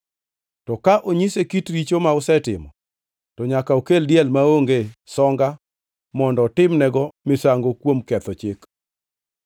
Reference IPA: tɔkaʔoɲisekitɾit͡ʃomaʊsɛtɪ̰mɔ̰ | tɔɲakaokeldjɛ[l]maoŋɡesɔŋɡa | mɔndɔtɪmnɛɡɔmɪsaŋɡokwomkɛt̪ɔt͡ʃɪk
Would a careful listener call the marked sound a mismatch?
no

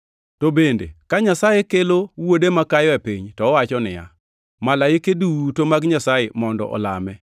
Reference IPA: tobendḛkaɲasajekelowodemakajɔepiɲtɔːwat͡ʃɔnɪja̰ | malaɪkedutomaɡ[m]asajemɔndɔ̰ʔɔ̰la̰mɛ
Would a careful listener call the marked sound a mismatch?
yes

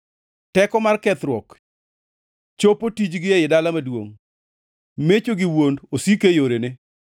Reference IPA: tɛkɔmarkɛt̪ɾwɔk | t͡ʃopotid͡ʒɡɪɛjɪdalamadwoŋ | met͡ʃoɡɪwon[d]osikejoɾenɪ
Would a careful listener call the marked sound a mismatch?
no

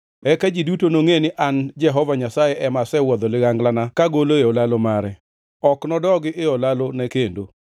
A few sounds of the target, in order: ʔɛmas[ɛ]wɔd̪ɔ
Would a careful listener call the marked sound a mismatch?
no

